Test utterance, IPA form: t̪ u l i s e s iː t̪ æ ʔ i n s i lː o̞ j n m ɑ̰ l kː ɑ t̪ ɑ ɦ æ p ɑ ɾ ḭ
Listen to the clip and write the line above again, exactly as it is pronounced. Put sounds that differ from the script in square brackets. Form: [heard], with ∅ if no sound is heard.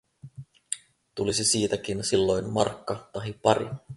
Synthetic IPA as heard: t̪ u l i s e s iː t̪ æ [k] i n s i lː o̞ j n m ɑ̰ [r] kː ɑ t̪ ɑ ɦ [i] p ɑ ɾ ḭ